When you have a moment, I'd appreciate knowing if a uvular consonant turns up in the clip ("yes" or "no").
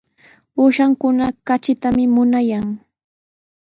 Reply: no